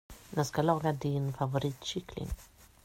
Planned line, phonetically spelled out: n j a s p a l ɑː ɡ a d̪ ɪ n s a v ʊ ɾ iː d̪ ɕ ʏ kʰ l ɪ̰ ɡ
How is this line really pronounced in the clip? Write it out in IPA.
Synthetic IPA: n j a s k a l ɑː ɡ a d̪ ɪ n f a v ʊ ɾ iː t̪ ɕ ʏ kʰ l ɪ̰ ŋ